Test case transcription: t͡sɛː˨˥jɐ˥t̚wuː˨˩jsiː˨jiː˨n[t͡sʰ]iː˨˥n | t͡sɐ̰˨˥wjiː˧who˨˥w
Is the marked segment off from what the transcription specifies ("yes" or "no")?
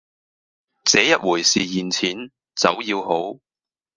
no